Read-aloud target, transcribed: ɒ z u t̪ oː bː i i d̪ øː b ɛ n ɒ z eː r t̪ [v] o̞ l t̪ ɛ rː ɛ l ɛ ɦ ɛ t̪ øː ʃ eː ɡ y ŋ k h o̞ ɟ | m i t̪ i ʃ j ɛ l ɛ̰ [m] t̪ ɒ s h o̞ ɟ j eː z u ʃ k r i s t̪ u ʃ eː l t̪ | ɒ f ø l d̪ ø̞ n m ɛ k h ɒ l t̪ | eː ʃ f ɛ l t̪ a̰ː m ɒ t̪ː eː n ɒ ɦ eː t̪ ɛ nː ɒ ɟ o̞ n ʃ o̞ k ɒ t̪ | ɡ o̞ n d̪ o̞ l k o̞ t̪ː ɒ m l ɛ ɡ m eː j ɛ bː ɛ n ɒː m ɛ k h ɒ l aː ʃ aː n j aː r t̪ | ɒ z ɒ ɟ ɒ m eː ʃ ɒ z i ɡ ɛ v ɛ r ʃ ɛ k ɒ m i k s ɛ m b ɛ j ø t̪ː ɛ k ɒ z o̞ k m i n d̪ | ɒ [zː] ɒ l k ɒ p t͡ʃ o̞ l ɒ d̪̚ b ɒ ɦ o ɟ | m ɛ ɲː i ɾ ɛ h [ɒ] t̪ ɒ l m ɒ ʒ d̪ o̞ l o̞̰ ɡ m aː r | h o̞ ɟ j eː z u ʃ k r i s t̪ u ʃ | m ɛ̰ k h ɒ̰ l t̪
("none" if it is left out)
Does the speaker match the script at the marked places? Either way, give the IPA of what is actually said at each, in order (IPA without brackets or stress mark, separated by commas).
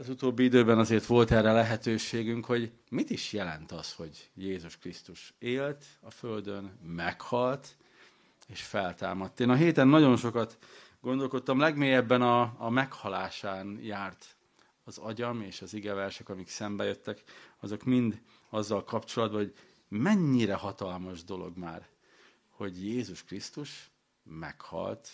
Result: ʋ, n, zː, ɒ